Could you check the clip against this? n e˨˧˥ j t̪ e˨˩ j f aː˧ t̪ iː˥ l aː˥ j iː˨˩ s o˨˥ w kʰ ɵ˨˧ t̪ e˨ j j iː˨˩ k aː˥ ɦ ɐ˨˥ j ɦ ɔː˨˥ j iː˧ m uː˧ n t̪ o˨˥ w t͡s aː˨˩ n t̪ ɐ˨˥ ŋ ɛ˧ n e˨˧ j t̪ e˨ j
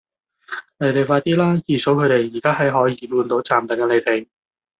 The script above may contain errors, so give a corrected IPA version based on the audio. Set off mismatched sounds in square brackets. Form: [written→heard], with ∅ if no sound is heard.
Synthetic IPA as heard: n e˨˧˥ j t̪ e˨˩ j f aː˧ t̪ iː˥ l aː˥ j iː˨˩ s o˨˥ w kʰ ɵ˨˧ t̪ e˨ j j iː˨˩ k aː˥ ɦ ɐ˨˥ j ɦ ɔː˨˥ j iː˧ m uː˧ n t̪ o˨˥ w t͡s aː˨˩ [n→m] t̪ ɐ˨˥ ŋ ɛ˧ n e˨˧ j t̪ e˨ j